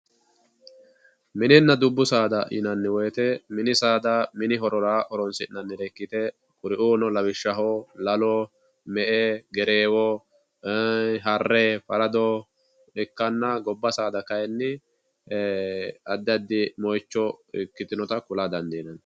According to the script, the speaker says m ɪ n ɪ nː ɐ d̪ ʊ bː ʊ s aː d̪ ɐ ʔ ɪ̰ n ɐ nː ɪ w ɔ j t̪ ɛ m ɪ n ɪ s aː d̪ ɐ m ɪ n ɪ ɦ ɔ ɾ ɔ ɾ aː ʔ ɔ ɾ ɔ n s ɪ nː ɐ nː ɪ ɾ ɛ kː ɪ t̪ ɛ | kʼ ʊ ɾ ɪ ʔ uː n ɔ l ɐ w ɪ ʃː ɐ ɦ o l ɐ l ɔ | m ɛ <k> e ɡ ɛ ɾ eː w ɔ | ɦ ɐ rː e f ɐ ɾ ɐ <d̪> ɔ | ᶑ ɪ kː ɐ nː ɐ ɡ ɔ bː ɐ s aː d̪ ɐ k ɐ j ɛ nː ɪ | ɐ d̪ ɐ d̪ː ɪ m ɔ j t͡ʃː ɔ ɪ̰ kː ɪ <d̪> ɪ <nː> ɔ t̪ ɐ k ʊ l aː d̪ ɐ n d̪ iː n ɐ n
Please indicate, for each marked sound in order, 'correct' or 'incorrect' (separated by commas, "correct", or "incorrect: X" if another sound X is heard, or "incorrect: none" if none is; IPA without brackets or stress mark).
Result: incorrect: ʔ, correct, incorrect: t̪, incorrect: n